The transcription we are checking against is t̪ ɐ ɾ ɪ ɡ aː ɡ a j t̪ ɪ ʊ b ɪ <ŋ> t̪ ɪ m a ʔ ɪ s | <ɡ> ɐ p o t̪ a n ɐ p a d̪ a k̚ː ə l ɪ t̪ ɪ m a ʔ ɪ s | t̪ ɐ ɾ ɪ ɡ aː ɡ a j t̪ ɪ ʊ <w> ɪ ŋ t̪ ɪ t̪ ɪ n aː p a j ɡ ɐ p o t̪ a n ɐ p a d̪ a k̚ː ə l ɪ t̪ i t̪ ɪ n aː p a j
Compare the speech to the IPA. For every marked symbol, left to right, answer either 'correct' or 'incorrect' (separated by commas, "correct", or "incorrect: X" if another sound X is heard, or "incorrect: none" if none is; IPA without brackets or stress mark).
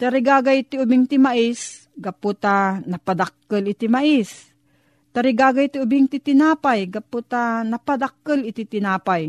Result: correct, correct, incorrect: b